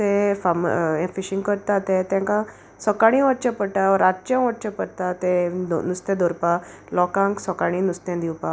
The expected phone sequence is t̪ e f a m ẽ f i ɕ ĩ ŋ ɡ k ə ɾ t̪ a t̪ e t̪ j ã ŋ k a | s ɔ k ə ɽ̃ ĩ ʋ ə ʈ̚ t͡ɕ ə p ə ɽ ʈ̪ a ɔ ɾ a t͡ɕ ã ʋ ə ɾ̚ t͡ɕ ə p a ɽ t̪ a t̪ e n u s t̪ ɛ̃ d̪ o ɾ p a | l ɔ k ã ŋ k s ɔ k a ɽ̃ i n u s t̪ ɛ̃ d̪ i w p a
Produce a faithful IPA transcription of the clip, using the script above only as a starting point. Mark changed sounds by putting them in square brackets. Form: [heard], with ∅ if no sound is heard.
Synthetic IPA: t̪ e f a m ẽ f i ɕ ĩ ŋ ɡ k ə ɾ t̪ a t̪ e t̪ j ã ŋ k a | s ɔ k [a] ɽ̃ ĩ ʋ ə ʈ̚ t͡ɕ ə p ə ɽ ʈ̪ a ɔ ɾ a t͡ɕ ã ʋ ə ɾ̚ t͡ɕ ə p [ə] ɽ t̪ a t̪ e n u s t̪ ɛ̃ d̪ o ɾ p a | l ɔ k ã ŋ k s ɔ k a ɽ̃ i n u s t̪ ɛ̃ d̪ i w p a